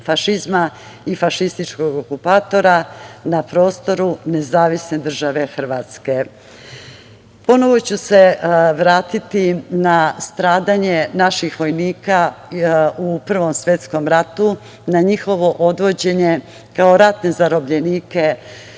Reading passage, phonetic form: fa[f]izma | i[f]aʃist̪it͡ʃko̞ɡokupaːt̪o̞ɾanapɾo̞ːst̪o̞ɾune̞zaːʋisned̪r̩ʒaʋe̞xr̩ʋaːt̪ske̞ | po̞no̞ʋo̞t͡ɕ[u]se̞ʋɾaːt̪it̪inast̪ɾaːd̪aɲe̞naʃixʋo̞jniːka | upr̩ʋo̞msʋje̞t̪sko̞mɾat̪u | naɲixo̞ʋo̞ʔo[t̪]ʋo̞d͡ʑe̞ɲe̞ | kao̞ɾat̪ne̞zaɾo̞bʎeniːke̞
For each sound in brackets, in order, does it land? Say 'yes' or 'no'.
no, yes, yes, no

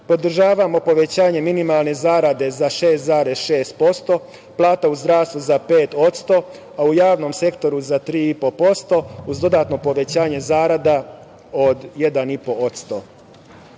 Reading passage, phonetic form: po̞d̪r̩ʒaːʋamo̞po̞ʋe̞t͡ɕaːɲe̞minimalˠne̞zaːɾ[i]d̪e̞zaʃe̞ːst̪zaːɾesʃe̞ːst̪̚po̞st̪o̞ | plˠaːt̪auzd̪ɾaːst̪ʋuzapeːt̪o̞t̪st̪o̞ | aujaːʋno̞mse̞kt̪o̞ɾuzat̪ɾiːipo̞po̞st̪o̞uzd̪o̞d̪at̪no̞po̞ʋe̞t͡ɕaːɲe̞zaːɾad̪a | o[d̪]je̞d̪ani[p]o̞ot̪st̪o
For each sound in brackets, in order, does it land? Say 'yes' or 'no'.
no, yes, yes

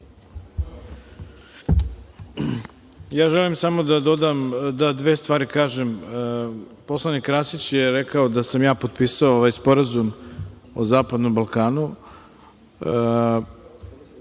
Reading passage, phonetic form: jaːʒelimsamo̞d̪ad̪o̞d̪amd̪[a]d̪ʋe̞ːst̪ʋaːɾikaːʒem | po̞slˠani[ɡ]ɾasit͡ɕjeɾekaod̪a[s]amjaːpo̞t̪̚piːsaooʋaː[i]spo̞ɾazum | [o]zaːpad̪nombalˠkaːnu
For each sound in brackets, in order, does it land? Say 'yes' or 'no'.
yes, no, yes, no, yes

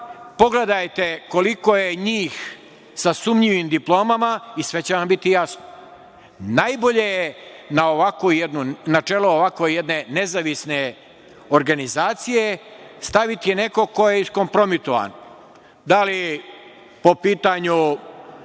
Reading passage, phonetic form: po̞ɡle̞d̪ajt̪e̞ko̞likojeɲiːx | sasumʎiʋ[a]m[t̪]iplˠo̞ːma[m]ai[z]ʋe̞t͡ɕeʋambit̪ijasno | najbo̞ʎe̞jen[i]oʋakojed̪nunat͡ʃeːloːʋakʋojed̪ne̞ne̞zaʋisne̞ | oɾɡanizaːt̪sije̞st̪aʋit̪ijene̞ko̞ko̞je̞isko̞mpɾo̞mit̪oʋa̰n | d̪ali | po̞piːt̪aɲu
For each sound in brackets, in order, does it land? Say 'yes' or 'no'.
no, no, yes, no, no

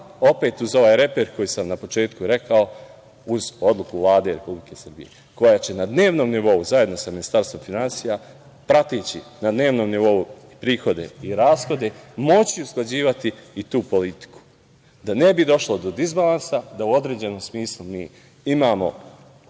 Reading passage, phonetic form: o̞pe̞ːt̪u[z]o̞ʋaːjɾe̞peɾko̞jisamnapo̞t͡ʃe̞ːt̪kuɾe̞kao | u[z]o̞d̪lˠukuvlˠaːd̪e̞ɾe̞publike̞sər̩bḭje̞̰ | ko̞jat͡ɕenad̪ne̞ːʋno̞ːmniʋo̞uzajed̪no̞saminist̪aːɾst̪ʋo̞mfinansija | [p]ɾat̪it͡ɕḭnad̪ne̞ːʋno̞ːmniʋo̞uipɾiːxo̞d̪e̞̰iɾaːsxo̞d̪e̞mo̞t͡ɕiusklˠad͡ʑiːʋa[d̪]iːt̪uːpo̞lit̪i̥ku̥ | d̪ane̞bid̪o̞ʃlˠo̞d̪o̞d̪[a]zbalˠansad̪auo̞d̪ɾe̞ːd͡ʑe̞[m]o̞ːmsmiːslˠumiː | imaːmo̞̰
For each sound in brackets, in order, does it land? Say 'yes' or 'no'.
yes, yes, yes, no, no, no

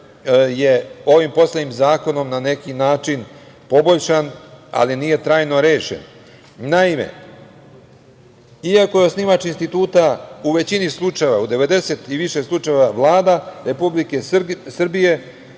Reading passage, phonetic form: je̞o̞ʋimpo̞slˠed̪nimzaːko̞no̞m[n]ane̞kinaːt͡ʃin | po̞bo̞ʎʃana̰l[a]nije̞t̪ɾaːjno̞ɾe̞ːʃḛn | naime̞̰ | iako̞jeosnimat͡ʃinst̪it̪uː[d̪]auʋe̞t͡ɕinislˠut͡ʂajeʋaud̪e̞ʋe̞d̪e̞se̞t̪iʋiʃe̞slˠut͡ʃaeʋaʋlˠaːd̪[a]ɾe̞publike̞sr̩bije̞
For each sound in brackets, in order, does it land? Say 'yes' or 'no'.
yes, no, no, yes

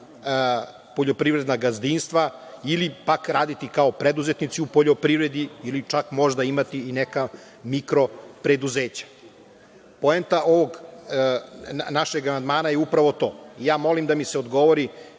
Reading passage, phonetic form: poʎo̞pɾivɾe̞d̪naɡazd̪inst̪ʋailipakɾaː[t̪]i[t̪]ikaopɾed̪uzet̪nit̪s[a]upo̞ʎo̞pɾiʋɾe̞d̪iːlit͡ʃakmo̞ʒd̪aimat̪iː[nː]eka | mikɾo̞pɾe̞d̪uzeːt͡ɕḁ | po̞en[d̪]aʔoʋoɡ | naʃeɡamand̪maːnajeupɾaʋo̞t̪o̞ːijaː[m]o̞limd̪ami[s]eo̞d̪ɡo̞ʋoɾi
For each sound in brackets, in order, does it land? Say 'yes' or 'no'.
no, yes, no, no, no, yes, yes

